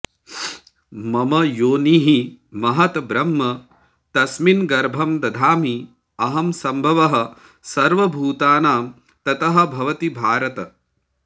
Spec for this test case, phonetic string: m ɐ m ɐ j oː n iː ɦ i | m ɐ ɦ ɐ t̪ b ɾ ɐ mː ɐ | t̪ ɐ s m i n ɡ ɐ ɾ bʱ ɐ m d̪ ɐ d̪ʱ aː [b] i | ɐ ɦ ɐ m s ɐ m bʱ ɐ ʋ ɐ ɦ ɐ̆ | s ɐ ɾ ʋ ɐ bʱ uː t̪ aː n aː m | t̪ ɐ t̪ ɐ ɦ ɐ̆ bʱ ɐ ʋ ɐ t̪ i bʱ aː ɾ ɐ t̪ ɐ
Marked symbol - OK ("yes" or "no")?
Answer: no